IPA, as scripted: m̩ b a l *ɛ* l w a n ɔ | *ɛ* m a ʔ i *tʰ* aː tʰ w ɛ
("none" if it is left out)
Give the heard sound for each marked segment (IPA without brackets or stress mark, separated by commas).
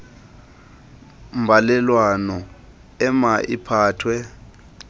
ɛ, ɛ, pʰ